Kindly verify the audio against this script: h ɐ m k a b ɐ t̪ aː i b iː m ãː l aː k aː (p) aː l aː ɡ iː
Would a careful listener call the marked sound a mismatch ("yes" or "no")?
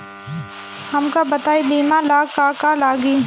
yes